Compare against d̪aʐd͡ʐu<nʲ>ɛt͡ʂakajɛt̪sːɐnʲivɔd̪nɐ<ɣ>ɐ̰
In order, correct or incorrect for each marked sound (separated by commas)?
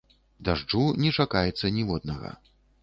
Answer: correct, correct